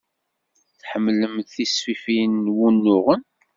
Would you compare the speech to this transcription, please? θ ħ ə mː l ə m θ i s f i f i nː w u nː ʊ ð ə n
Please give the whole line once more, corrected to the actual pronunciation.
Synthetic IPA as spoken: θ ħ ə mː l ə m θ i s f i f i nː w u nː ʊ ʁ ə n

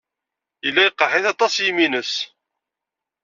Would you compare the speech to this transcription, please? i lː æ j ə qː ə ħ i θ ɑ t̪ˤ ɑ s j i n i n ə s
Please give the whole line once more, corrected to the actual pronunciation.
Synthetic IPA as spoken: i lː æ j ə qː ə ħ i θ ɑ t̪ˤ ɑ s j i m i n ə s

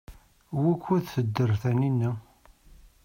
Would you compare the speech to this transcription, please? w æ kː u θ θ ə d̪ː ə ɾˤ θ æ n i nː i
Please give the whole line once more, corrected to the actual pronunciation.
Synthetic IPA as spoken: w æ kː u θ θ ə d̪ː ə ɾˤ θ æ n i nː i

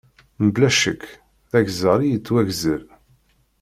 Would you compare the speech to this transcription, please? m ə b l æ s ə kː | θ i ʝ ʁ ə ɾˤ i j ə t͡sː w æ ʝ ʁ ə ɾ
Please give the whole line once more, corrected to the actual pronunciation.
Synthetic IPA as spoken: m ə b l æ ʃ ə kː | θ æ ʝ z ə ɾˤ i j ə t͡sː w æ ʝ z ə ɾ

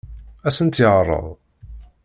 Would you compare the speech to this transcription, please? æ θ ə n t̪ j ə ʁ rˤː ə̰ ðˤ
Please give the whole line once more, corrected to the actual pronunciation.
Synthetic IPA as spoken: æ s ə n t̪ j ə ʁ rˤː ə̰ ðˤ

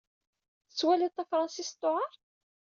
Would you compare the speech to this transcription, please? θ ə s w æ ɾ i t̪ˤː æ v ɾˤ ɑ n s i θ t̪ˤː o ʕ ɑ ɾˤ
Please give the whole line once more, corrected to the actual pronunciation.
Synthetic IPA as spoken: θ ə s w æ l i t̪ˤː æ f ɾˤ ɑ n s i s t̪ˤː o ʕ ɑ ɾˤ

